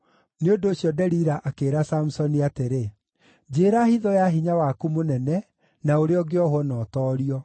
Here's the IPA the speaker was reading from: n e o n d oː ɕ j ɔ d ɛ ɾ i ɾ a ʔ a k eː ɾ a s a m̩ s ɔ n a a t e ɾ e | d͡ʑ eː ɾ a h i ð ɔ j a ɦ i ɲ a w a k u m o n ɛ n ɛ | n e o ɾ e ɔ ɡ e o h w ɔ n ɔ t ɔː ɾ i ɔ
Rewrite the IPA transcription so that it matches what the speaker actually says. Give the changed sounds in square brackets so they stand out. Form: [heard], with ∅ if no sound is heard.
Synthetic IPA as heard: n e o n d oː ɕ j ɔ d ɛ ɾ i ɾ a ʔ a k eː ɾ a s a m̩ s ɔ n [i] a t e ɾ e | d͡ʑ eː ɾ a h i ð ɔ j a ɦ i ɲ a w a k u m o n ɛ n ɛ | n [a] o ɾ e ɔ ɡ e [ɔ] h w ɔ n ɔ t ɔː ɾ i ɔ

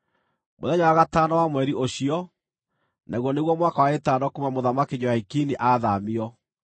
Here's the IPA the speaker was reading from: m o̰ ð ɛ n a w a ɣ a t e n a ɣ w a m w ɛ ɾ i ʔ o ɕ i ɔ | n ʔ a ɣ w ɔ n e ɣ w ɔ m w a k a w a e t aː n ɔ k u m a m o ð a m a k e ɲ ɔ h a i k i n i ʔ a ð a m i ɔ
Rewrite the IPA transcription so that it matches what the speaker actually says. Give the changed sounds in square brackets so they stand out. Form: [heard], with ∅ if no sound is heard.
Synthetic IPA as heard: m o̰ ð ɛ [ɲ] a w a ɣ a t [a] n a [∅] w a m w ɛ ɾ i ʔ o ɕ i ɔ | n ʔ a ɣ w ɔ n e ɣ w ɔ m w a k a w a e t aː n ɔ k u m a m o ð a m a k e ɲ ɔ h a i k i n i ʔ a ð a m i ɔ

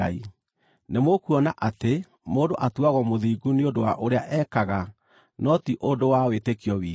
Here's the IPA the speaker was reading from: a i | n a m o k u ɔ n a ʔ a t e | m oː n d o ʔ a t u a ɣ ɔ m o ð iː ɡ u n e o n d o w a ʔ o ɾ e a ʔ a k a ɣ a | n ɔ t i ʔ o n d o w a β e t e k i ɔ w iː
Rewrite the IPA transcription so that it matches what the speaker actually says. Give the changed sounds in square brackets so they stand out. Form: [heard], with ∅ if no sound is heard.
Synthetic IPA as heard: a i | n [e] m o k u ɔ n a ʔ a t e | m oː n d o ʔ a t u a ɣ ɔ m o ð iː ɡ u n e o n d o w a ʔ o ɾ e a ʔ [ɛ] k a ɣ a | n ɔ t i ʔ o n d o w a [w] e t e k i ɔ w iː

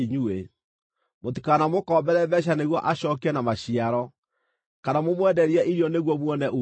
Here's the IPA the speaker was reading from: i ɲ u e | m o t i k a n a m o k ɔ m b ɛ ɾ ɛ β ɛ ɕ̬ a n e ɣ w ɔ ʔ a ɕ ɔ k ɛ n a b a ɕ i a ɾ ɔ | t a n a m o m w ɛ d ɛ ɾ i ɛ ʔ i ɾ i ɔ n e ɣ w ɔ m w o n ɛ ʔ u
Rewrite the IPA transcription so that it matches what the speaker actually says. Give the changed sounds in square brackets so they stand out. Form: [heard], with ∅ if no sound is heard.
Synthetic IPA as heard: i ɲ u e | m o t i k a n a m o k ɔ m b ɛ ɾ ɛ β ɛ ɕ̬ a n e ɣ w ɔ ʔ a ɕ ɔ k ɛ n a [m] a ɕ i a ɾ ɔ | [k] a n a m o m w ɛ d ɛ ɾ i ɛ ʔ i ɾ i ɔ n e ɣ w ɔ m w [ɔ] n ɛ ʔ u

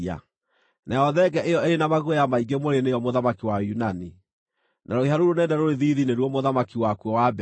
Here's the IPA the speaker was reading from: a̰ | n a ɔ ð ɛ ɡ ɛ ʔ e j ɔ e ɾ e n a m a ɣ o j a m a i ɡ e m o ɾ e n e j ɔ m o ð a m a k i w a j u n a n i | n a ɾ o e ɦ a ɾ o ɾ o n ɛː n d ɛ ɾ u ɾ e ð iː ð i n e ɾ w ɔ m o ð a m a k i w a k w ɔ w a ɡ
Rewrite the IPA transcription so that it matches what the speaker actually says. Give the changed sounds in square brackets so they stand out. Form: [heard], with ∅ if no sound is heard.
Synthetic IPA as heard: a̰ | n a ɔ ð ɛ ɡ ɛ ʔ e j ɔ e ɾ e n a m a ɣ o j a m a i ɡ e m o ɾ e n e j ɔ m o ð a m a k i w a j u n a n i | n a ɾ o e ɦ a ɾ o ɾ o n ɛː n d ɛ ɾ [o] ɾ e ð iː ð i n e ɾ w ɔ m o ð a m a k i w a k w ɔ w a [b]

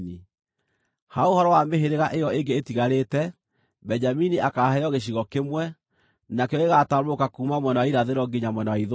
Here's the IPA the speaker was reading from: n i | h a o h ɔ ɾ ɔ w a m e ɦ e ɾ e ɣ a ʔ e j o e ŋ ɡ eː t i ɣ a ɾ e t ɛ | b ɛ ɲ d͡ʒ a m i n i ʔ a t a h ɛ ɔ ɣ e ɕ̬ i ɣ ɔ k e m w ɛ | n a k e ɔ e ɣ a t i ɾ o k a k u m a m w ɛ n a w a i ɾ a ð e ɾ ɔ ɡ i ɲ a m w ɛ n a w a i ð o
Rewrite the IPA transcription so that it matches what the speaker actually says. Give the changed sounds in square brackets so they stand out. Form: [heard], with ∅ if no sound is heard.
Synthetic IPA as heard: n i | h a o h ɔ ɾ ɔ w a m e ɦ e ɾ e ɣ a ʔ e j [ɔ] e ŋ ɡ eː t i ɣ a ɾ e t ɛ | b ɛ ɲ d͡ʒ a m i n i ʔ a [k] a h ɛ ɔ ɣ e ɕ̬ i ɣ ɔ k e m w ɛ | n a k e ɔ e ɣ a t [a] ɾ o k a k u m a m w ɛ n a w a i ɾ a ð e ɾ ɔ ɡ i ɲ a m w ɛ n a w a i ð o

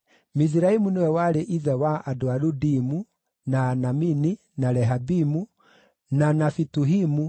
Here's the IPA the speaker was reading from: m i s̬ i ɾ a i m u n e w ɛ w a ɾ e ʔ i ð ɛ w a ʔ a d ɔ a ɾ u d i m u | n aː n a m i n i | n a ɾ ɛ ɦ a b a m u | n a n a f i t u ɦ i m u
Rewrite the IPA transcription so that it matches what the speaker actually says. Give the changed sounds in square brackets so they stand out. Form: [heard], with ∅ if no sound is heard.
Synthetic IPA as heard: m i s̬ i ɾ a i m u n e w ɛ w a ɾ e ʔ i ð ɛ w a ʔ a d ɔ a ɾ u d i m u | n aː n a m i n i | n a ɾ ɛ ɦ a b [i] m u | n a n a f i t u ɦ i m u

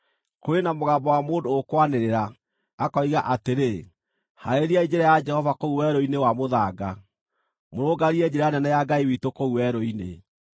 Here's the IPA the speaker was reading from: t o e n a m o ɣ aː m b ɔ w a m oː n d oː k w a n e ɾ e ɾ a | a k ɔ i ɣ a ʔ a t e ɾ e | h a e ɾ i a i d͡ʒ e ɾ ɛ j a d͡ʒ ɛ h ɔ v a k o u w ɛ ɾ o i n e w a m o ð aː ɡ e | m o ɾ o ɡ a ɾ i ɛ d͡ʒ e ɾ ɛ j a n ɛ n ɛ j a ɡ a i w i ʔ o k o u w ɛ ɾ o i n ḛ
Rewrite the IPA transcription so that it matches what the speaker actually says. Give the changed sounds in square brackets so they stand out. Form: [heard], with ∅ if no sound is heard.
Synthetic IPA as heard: [k] o e n a m o ɣ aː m b ɔ w a m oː n d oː k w a n e ɾ e ɾ a | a k ɔ i ɣ a ʔ a t e ɾ e | h a e ɾ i a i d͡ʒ e ɾ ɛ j a d͡ʒ ɛ h ɔ v a k o u w ɛ ɾ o i n e w a m o ð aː ɡ [a] | m o ɾ o ɡ a ɾ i ɛ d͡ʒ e ɾ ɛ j a n ɛ n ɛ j a ɡ a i w i [t] o k o u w ɛ ɾ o i n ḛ

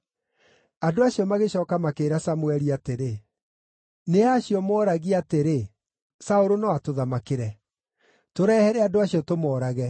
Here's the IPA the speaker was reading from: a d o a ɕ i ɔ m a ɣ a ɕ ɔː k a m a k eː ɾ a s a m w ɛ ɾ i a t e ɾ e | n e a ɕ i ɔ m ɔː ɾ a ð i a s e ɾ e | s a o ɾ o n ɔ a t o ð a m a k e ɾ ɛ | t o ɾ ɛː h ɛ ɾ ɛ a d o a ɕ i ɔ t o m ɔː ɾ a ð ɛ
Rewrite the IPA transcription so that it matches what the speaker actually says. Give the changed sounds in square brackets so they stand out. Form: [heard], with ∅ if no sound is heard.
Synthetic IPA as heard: a d o a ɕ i ɔ m a ɣ [e] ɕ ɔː k a m a k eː ɾ a s a m w ɛ ɾ i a t e ɾ e | n e a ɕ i ɔ m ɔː ɾ a [ɣ] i a [t] e ɾ e | s a o ɾ o n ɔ a t o ð a m a k e ɾ ɛ | t o ɾ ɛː h ɛ ɾ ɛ a d o a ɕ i ɔ t o m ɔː ɾ a [ɣ] ɛ

